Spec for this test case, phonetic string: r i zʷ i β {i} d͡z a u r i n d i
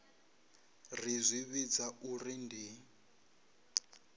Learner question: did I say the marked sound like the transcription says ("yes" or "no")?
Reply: yes